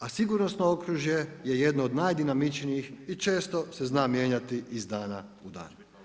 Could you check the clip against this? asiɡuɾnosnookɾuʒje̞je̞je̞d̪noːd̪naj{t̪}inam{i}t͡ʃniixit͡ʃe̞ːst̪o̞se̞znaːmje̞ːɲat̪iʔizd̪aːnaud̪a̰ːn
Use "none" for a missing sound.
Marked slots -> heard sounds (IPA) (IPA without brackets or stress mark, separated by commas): d̪, i